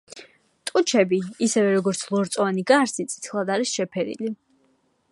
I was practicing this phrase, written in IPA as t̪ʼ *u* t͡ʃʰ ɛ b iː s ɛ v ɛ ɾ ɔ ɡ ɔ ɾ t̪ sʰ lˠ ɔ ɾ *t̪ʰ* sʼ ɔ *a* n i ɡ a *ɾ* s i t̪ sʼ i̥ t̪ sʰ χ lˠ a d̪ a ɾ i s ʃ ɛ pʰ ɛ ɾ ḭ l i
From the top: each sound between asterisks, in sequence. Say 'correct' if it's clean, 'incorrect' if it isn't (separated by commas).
correct, incorrect, correct, correct